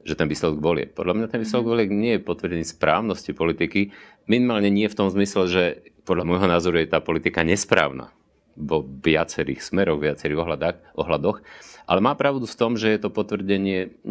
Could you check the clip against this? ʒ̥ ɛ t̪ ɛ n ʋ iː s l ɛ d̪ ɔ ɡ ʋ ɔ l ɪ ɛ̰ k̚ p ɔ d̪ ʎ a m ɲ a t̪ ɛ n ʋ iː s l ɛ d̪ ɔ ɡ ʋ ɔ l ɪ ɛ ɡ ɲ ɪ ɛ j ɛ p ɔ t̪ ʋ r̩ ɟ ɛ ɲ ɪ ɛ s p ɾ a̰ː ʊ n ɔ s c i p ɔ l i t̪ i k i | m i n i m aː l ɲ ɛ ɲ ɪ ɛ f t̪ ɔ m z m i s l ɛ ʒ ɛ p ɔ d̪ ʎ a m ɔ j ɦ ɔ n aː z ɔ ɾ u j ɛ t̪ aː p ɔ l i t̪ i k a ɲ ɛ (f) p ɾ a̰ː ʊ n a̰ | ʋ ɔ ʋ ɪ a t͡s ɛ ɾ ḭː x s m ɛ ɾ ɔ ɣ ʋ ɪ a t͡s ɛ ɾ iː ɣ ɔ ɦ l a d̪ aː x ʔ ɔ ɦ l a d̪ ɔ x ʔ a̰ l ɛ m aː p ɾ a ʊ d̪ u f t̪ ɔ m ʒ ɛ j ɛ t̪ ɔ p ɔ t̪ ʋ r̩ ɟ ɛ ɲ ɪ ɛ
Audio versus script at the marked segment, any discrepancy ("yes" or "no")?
yes